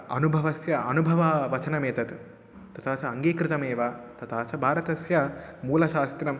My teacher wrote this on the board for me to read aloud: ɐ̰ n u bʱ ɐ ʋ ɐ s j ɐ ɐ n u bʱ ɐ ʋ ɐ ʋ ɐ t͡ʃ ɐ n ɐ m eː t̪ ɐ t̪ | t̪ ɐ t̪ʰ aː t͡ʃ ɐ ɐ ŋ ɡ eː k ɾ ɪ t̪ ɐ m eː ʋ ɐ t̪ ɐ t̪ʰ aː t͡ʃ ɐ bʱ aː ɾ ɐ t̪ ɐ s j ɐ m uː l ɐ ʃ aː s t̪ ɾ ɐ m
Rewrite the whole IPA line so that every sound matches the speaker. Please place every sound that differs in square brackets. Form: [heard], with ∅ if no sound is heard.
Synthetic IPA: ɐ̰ n u bʱ ɐ ʋ ɐ s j ɐ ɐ n u bʱ ɐ ʋ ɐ ʋ ɐ t͡ʃ ɐ n ɐ m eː t̪ ɐ t̪ | t̪ ɐ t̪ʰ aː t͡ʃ ɐ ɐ ŋ ɡ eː k ɾ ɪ t̪ ɐ m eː ʋ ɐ t̪ ɐ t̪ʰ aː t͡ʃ ɐ bʱ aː ɾ ɐ t̪ ɐ s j ɐ m uː l ɐ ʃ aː s t̪ ɾ ɐ m

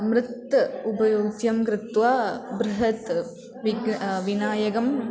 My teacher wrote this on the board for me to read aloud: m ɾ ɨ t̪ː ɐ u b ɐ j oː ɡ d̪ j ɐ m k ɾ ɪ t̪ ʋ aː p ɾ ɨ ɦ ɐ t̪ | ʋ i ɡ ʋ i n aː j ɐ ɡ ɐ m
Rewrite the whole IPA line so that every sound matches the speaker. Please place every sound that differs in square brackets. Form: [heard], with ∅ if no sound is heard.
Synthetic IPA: m ɾ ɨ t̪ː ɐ u b ɐ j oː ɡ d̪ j ɐ m k ɾ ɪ t̪ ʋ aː [b] ɾ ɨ ɦ ɐ t̪ | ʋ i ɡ ʋ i n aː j ɐ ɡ ɐ m

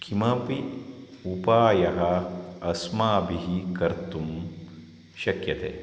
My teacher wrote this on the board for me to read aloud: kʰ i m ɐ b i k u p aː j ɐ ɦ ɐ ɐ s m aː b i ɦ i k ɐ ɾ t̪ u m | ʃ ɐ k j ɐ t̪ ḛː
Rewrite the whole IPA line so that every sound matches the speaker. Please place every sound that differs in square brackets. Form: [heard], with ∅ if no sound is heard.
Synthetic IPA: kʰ i m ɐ [p] i [∅] u p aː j ɐ ɦ ɐ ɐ s m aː b i ɦ i k ɐ ɾ t̪ u m | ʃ ɐ k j ɐ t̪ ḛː

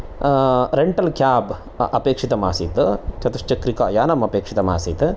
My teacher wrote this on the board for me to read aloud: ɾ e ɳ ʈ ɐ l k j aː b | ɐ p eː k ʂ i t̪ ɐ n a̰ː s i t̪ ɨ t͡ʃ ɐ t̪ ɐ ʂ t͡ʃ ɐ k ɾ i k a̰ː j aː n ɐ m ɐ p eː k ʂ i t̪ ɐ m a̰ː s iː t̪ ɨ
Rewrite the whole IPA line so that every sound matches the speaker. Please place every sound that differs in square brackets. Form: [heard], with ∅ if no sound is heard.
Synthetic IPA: ɾ e ɳ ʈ ɐ l k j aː b | ɐ p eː k ʂ i t̪ ɐ [m] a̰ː s i t̪ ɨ t͡ʃ ɐ t̪ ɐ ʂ t͡ʃ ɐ k ɾ i k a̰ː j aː n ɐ m ɐ p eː k ʂ i t̪ ɐ m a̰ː s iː t̪ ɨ

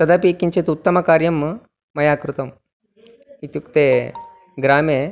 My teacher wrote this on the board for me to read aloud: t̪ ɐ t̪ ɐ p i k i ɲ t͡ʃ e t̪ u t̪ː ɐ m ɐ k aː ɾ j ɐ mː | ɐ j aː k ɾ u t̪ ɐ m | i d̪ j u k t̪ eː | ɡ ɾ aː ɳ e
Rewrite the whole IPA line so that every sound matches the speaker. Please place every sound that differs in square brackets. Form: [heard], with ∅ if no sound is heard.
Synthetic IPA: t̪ ɐ [d̪] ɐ p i k i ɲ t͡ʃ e t̪ u t̪ː ɐ m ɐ k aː ɾ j ɐ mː | ɐ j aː k ɾ u t̪ ɐ m | i [t̪] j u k t̪ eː | ɡ ɾ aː [m] e

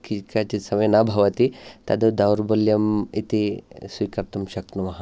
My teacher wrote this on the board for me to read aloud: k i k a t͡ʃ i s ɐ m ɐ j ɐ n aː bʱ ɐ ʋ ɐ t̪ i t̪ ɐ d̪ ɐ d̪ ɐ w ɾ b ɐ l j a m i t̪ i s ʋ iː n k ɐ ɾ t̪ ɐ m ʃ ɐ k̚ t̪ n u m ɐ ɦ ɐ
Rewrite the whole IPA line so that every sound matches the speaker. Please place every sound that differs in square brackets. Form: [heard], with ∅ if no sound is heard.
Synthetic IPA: k i k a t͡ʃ i s ɐ m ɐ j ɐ n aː bʱ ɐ ʋ ɐ t̪ i t̪ ɐ d̪ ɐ d̪ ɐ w ɾ b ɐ l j [ɐ] m i t̪ i s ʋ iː [∅] k ɐ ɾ t̪ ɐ m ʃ ɐ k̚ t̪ n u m ɐ ɦ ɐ

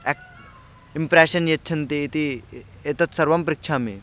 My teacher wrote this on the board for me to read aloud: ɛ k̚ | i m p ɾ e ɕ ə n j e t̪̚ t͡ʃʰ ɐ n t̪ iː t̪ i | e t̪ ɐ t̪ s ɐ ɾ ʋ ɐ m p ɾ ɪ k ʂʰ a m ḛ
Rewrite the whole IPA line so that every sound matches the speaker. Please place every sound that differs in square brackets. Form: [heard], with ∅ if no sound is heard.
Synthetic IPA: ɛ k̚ | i m p ɾ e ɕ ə n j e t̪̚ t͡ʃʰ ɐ n t̪ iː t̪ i | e t̪ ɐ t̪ s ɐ ɾ ʋ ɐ m p ɾ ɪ k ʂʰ a m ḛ

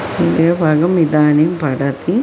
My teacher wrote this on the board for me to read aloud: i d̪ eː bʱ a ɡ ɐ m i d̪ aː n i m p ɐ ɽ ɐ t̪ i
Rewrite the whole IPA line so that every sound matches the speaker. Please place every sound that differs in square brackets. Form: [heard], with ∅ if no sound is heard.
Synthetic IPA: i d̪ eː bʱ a ɡ ɐ m i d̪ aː n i m p ɐ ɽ ɐ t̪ i

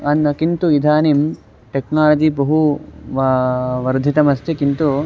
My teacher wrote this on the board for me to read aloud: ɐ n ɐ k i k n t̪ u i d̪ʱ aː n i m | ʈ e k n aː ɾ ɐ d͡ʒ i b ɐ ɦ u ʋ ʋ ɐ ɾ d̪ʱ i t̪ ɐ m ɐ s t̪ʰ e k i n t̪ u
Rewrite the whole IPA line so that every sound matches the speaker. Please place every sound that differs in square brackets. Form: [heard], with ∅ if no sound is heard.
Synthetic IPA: ɐ n ɐ k i [∅] n t̪ u i d̪ʱ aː n i m | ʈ e k n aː [l] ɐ d͡ʒ i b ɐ ɦ u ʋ ʋ ɐ ɾ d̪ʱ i t̪ ɐ m ɐ s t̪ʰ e k i n t̪ u

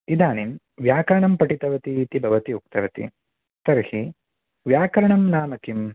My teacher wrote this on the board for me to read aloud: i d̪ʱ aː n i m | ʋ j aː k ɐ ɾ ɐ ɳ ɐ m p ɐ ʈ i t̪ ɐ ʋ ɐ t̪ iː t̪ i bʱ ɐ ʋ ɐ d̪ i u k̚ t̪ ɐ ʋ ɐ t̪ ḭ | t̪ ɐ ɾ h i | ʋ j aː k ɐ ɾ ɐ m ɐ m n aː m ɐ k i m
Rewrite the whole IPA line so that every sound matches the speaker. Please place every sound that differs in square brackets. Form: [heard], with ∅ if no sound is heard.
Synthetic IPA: i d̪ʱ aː n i m | ʋ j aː k ɐ ɾ ɐ ɳ ɐ m p ɐ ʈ i t̪ ɐ ʋ ɐ t̪ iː t̪ i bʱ ɐ ʋ ɐ [t̪] i u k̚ t̪ ɐ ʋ ɐ t̪ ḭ | t̪ ɐ ɾ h i | ʋ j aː k ɐ ɾ ɐ [ɳ] ɐ m n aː m ɐ k i m

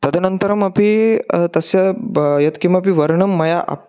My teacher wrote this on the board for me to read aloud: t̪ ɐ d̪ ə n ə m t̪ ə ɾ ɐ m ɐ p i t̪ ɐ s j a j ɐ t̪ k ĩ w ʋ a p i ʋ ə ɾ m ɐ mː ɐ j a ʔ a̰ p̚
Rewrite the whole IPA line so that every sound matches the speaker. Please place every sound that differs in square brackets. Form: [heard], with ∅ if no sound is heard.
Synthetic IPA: t̪ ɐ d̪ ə n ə [n] t̪ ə ɾ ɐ m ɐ p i t̪ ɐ s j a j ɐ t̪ k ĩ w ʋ a p i ʋ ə ɾ [ɳ] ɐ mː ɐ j a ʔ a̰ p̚

